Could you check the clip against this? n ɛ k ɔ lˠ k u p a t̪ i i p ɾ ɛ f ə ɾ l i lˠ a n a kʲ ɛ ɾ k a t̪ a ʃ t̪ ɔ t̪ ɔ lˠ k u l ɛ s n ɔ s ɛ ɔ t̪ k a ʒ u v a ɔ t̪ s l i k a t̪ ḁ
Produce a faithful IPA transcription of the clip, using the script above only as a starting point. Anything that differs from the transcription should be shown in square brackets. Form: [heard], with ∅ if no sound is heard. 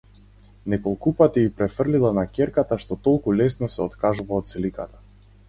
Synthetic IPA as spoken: n ɛ k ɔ lˠ k u p a t̪ i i p ɾ ɛ f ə [r] l i lˠ a n a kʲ ɛ ɾ k a t̪ a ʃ t̪ ɔ t̪ ɔ lˠ k u l ɛ s n ɔ s ɛ ɔ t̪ k a ʒ u v a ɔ t̪ s l i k a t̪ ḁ

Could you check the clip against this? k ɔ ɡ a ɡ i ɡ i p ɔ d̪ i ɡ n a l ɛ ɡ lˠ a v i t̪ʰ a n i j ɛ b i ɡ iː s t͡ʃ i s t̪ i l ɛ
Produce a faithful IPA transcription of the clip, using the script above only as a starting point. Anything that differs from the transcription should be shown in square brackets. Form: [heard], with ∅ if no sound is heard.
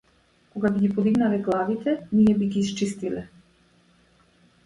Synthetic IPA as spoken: k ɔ ɡ a [b] i ɡ i p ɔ d̪ i ɡ n a l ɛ ɡ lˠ a v i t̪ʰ [ɛ] n i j ɛ b i ɡ iː s t͡ʃ i s t̪ i l ɛ

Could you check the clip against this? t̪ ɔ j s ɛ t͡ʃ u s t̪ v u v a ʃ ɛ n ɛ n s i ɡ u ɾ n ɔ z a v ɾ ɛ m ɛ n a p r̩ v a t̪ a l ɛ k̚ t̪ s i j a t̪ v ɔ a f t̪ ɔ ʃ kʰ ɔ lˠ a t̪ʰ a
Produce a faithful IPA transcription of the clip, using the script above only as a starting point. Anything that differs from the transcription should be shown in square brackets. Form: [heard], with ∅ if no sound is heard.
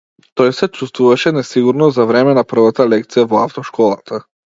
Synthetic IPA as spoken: t̪ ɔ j s ɛ t͡ʃ u s t̪ v u v a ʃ ɛ n ɛ [∅] s i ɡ u ɾ n ɔ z a v ɾ ɛ m ɛ n a p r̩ v a t̪ a l ɛ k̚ t̪ s i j a [∅] v ɔ a f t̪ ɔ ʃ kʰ ɔ lˠ a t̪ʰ a

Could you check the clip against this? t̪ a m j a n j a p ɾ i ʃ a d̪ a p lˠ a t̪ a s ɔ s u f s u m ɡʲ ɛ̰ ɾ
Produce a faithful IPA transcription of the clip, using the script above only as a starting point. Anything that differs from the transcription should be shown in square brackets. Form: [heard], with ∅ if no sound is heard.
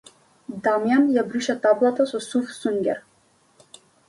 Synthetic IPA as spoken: [d̪] a m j a n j a [b] ɾ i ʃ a [t̪] a [b] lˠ a t̪ a s ɔ s u f s u [ŋ] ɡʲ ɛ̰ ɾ

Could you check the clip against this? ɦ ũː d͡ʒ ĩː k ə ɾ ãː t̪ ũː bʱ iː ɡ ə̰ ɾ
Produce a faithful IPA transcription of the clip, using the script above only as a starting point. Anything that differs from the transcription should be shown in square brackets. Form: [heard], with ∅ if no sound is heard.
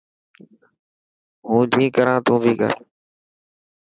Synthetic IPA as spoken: ɦ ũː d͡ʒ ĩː k ə ɾ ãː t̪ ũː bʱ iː [k] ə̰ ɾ

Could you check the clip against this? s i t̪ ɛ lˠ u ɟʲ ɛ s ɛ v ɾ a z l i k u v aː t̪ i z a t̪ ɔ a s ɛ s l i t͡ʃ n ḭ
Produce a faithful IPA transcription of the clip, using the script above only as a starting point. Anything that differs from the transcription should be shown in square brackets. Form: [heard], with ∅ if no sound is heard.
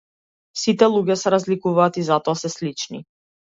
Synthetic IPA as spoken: s i t̪ ɛ lˠ u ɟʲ ɛ s ɛ [∅] ɾ a z l i k u v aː t̪ i z a t̪ ɔ a s ɛ s l i t͡ʃ n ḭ

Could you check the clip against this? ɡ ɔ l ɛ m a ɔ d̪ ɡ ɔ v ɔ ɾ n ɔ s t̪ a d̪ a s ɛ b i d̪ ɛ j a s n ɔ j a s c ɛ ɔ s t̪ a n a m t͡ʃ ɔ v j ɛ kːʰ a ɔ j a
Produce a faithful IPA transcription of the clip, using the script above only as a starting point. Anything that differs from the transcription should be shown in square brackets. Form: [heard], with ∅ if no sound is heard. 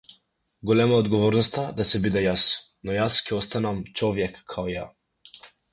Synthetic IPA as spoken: ɡ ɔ l ɛ m a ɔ d̪ ɡ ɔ v ɔ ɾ n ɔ s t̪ a d̪ a s ɛ b i d̪ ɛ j a s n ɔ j a s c ɛ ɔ s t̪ a n a m t͡ʃ ɔ v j ɛ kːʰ a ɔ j a

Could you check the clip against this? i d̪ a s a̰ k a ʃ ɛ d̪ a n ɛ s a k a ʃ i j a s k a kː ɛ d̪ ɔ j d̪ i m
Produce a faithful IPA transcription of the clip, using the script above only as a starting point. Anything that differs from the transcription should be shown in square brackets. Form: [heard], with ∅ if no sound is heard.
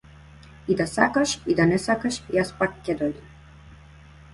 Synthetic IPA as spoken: i d̪ a s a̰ k a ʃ [i] d̪ a n ɛ s a k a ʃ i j a s [p] a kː ɛ d̪ ɔ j d̪ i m

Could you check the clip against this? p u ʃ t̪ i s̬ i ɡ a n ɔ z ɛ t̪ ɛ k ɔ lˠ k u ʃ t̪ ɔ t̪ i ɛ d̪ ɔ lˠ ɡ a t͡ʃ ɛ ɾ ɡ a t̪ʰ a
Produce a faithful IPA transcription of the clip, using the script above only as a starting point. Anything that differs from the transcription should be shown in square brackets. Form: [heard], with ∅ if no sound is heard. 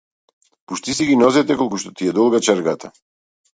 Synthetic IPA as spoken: p u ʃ t̪ i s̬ i ɡ [i] n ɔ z ɛ t̪ ɛ k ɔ lˠ k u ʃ t̪ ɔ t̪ i ɛ d̪ ɔ lˠ ɡ a t͡ʃ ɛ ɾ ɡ a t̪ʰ a

